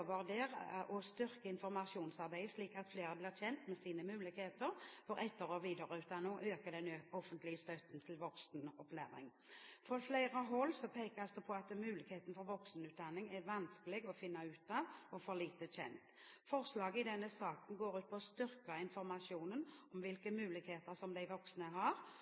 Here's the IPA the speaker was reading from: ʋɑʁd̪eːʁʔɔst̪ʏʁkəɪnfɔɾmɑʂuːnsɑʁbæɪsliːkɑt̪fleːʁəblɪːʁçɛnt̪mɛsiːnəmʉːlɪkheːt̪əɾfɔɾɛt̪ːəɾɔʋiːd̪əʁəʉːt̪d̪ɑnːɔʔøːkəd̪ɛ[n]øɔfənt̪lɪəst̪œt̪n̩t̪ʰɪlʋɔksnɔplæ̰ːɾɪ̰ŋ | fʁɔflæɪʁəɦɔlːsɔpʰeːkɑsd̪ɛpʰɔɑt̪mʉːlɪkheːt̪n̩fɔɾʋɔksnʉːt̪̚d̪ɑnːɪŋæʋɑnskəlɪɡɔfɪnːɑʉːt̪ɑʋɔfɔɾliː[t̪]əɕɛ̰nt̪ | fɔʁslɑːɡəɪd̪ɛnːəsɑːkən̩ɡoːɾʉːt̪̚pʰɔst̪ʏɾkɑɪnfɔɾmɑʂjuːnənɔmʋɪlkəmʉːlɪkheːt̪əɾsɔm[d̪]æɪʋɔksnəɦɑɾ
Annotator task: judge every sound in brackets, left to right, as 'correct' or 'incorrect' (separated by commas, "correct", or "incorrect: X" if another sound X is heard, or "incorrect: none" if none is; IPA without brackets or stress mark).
correct, correct, correct